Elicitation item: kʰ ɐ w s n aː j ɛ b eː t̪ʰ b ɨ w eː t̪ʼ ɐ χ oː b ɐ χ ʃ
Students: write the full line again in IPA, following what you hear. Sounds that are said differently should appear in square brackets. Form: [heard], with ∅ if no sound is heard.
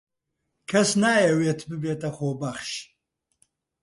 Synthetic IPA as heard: kʰ ɐ [∅] s n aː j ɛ [w] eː t̪ʰ b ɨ [b] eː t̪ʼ ɐ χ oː b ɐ χ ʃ

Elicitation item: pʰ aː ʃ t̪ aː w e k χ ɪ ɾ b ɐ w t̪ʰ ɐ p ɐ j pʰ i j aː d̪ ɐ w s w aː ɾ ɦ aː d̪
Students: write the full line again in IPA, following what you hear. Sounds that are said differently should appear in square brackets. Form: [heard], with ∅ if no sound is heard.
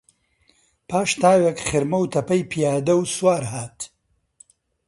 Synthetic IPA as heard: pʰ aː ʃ t̪ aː w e k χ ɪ ɾ [m] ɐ w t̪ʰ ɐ p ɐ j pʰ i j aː d̪ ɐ w s w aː ɾ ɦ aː [t̪]

